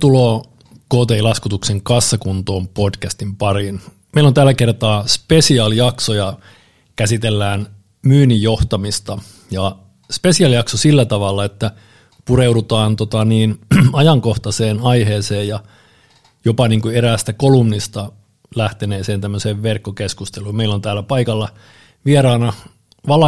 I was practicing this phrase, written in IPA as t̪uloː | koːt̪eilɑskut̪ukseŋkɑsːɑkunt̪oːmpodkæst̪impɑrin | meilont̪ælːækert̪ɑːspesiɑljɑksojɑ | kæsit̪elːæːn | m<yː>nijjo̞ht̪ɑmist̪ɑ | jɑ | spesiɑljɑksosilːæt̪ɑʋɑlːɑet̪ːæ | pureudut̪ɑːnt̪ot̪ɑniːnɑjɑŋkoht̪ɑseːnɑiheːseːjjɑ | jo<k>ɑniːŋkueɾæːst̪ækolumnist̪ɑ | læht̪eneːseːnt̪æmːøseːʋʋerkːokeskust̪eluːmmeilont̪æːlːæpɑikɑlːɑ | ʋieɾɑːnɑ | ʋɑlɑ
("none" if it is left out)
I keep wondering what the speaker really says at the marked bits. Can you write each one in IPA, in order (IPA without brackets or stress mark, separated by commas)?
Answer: yː, p